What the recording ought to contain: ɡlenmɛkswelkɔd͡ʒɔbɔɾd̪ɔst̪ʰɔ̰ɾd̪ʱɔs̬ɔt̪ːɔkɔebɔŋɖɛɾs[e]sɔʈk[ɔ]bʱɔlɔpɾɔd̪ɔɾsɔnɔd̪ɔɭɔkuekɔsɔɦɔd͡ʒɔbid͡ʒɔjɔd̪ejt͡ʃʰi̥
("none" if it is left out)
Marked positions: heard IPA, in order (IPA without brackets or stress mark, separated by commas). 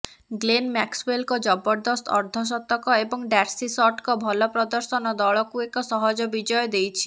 i, ɔ